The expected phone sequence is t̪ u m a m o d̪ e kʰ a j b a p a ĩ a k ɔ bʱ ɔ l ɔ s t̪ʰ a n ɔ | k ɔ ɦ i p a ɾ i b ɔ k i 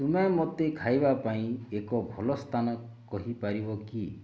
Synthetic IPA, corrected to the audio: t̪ u m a m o t̪ e kʰ a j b a p a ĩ e k ɔ bʱ ɔ l ɔ s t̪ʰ a n ɔ | k ɔ ɦ i p a ɾ i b ɔ k i